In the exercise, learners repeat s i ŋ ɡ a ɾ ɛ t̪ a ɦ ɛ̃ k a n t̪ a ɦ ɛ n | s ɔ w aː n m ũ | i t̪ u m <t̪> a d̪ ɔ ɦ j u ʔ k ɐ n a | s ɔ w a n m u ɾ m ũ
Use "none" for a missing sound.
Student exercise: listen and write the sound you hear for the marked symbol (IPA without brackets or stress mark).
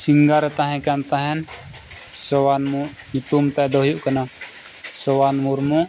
t̪